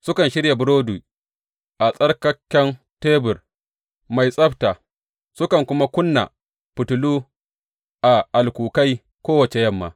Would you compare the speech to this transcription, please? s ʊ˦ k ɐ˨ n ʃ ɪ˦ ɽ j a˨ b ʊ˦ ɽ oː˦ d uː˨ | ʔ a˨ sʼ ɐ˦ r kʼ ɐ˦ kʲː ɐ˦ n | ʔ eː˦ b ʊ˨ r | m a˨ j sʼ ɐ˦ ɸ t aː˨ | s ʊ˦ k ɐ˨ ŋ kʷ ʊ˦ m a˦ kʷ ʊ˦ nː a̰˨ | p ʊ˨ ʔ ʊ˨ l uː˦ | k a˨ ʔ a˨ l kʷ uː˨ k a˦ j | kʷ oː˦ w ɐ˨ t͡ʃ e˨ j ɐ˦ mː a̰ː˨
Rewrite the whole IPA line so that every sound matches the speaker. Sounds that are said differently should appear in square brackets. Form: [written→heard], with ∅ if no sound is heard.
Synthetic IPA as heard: s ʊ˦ k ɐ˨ n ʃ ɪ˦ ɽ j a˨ b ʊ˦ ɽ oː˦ d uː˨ | ʔ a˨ sʼ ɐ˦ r [kʼ→k] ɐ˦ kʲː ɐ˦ n | [ʔ→t] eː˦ b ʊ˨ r | m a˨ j sʼ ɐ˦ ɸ t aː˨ | s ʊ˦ k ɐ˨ ŋ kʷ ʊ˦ m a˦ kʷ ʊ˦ nː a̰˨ | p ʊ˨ [ʔ→t] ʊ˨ l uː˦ | [k→ʔ] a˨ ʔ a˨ l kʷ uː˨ k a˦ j | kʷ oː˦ w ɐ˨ t͡ʃ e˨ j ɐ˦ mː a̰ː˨